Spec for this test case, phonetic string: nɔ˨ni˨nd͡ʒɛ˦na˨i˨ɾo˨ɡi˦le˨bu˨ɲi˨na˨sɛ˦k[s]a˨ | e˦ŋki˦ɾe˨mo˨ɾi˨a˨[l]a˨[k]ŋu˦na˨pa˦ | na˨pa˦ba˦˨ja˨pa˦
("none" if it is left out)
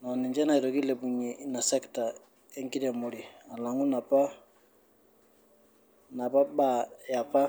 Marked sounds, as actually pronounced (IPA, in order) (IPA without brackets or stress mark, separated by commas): t, l, none